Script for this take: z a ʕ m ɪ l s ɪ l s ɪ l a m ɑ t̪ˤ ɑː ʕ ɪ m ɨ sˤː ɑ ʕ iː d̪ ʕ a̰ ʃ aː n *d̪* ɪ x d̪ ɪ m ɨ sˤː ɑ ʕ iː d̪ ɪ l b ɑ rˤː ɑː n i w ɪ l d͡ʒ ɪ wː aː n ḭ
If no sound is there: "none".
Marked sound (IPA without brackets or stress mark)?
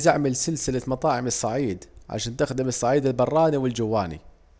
t̪